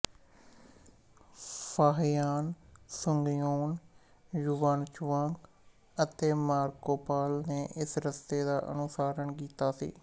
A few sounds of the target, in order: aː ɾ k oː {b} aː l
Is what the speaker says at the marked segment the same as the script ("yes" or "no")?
no